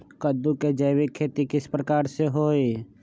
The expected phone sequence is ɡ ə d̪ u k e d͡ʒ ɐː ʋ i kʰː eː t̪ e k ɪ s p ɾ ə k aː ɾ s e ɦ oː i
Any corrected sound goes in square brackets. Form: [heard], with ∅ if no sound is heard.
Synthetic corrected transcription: [k] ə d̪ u k e d͡ʒ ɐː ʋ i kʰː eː t̪ [i] k ɪ s p ɾ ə k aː ɾ s e ɦ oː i